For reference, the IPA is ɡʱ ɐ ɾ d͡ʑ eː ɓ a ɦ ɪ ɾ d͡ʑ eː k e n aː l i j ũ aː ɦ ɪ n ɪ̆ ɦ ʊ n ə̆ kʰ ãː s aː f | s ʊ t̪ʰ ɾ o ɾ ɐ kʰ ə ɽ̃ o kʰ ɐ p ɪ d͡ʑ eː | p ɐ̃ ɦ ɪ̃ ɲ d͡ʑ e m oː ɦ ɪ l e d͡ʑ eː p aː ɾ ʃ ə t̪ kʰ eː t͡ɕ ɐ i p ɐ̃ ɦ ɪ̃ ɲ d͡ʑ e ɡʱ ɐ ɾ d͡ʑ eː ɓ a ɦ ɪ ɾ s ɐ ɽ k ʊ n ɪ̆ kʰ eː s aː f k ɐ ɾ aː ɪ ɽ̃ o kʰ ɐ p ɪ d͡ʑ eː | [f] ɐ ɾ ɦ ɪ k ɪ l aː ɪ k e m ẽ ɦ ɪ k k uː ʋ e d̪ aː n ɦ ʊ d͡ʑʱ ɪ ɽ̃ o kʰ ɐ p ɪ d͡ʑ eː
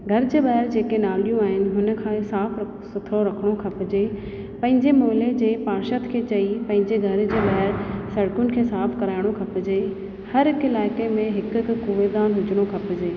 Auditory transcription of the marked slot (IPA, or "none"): h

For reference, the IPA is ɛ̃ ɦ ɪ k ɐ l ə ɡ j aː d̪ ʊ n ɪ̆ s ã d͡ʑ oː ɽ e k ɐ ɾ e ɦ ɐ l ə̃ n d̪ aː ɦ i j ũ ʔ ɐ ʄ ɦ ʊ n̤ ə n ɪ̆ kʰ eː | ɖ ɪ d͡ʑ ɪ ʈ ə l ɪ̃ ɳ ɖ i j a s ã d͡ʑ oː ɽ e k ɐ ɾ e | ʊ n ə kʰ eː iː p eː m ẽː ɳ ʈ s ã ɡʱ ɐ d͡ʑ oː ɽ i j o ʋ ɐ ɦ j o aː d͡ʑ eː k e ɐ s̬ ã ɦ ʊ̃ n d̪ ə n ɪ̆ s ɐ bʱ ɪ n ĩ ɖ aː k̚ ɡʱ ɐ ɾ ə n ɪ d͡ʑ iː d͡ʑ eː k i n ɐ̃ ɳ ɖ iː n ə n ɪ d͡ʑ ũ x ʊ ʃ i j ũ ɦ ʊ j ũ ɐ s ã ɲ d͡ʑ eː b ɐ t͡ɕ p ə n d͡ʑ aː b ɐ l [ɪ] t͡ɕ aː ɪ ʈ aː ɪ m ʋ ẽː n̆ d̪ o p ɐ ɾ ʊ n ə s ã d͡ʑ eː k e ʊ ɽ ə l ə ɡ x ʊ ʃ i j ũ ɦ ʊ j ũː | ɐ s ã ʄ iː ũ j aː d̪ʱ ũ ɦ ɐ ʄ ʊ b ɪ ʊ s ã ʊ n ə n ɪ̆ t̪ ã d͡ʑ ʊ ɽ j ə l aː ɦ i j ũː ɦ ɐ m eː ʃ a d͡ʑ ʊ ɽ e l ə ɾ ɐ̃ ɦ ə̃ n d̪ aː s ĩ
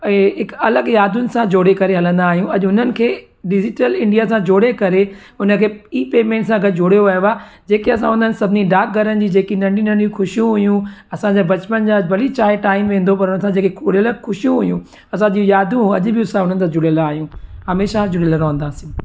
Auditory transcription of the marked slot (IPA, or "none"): i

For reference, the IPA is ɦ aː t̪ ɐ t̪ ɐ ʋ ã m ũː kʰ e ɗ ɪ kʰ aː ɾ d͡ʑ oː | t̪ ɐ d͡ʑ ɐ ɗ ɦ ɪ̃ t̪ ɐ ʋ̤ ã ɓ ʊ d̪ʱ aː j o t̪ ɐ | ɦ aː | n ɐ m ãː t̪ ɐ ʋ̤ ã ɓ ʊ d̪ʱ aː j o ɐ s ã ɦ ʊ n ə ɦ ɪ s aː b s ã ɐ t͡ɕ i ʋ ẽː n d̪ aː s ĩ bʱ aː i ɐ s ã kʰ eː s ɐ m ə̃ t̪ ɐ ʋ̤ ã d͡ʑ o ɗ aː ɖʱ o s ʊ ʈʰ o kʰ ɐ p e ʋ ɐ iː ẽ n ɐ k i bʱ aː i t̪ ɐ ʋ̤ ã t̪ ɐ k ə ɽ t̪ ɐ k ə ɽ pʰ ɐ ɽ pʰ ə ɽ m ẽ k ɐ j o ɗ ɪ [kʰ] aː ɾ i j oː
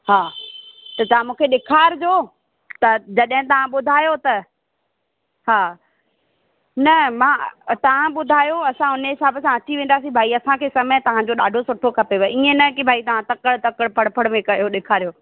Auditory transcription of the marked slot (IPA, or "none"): kʰ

